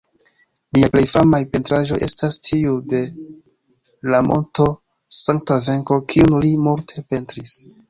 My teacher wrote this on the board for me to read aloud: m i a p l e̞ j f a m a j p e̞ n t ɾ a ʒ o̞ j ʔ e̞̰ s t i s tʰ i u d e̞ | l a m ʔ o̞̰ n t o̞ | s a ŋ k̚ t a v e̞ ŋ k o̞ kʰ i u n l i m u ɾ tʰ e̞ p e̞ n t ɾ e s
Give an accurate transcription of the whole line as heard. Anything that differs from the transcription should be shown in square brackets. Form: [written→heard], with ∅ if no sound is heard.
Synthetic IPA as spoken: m i a p l e̞ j f a m a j p e̞ n t ɾ a ʒ o̞ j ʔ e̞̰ s t [i→a] s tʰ i u d e̞ | l a m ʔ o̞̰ n t o̞ | s a ŋ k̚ t a v e̞ ŋ k o̞ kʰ i u n l i m u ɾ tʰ e̞ p e̞ n t ɾ [e→i] s